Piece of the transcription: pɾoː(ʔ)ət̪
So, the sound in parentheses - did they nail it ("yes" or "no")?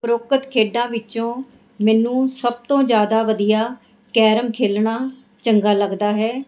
no